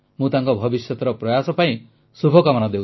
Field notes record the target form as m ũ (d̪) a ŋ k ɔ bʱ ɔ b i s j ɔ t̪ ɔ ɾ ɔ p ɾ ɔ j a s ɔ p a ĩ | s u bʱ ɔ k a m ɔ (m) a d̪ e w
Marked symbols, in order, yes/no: no, no

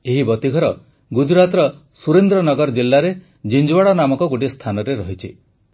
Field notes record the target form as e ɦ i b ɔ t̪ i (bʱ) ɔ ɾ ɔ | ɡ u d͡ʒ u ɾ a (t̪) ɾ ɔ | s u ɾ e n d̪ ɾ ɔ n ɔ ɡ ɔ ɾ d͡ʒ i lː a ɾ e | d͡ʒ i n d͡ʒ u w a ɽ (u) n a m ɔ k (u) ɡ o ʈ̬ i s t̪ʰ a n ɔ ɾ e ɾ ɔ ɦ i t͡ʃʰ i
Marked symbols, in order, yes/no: no, yes, no, no

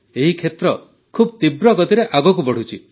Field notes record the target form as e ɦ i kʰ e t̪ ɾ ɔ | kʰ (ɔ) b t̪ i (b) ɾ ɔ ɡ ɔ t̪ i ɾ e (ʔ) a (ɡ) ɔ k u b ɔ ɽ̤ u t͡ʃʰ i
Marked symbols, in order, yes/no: no, yes, yes, yes

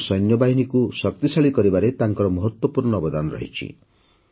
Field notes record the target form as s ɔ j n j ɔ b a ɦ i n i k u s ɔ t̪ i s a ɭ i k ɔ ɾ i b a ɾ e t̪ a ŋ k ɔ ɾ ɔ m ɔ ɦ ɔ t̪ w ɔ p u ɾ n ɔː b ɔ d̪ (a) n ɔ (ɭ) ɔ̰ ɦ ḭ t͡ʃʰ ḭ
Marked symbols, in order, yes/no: yes, no

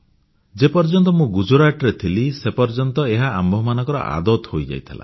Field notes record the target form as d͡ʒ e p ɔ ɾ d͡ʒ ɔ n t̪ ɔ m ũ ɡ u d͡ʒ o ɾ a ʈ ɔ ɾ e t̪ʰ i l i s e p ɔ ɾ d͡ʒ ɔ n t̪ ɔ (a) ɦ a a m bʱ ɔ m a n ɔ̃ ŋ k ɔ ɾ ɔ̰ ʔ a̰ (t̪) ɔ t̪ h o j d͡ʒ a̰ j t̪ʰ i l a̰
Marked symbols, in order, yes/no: no, no

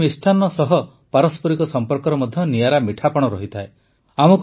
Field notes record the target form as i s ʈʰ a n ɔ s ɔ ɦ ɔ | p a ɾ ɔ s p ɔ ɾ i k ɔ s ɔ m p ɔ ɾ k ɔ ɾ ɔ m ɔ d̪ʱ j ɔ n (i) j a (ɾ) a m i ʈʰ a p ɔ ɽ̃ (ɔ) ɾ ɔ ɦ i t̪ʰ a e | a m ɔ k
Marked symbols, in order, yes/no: yes, yes, yes

